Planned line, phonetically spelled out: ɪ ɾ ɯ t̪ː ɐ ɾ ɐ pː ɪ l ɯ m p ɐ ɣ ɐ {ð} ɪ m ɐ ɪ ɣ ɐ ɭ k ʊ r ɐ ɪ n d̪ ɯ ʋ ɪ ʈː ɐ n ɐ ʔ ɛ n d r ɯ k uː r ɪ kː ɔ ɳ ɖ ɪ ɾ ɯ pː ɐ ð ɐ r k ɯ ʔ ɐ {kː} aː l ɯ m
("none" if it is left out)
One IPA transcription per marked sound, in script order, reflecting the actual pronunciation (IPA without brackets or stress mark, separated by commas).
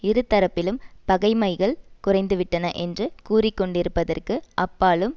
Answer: none, pː